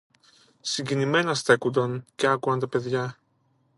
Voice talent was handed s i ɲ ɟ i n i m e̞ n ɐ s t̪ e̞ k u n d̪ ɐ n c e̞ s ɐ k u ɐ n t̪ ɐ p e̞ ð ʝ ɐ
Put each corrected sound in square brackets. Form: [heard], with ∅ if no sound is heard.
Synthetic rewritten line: s i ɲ ɟ i n i m e̞ n ɐ s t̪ e̞ k u n d̪ ɐ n c e̞ [∅] ɐ k u ɐ n t̪ ɐ p e̞ ð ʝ ɐ